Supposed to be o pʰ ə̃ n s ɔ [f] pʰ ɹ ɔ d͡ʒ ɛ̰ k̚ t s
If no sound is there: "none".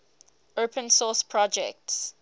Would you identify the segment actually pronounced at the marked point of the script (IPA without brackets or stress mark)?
s